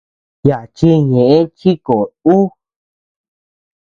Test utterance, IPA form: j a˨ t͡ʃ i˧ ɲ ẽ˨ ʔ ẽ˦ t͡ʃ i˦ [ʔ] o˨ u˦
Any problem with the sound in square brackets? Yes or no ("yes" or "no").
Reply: yes